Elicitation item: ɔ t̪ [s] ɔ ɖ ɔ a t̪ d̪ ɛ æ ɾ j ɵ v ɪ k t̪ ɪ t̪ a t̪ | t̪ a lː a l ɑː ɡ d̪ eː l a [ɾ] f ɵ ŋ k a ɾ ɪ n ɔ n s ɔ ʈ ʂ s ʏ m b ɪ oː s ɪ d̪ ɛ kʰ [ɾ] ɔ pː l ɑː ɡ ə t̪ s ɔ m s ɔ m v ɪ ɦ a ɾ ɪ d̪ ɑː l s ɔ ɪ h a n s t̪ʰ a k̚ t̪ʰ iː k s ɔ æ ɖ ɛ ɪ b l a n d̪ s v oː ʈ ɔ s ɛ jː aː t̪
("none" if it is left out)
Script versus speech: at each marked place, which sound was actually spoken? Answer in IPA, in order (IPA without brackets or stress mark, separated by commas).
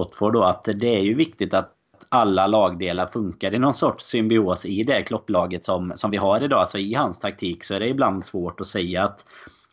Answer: f, ɾ, l